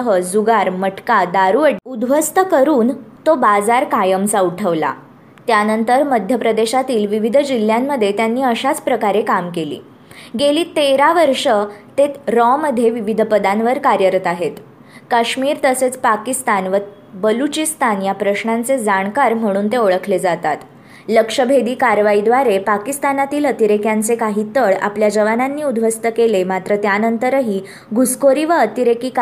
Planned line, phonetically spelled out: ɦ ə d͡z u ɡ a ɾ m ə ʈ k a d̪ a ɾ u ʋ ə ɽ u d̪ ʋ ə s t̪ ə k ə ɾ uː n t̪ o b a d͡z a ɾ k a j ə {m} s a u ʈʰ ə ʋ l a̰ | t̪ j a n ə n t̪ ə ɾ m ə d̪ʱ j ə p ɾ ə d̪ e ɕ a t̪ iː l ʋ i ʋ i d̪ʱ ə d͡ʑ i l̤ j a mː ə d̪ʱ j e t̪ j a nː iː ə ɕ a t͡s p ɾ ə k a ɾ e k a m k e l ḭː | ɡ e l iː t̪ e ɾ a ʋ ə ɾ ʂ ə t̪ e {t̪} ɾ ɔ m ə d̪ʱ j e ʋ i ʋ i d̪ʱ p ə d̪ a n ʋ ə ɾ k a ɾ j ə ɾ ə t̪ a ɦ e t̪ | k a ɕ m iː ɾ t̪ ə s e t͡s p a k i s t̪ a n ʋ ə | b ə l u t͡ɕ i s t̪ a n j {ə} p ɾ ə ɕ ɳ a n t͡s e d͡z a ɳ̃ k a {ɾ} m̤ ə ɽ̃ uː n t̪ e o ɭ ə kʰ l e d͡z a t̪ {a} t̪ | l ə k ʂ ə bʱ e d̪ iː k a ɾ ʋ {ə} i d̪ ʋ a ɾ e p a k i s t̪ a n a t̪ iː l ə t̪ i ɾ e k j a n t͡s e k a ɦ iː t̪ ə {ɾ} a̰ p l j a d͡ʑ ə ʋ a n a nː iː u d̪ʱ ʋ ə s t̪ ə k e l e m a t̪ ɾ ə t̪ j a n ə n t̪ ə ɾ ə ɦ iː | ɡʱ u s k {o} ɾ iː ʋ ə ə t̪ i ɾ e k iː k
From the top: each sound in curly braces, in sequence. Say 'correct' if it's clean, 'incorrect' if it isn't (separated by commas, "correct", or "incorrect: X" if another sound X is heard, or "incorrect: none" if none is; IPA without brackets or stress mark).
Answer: correct, correct, incorrect: a, correct, correct, incorrect: a, incorrect: ɭ, correct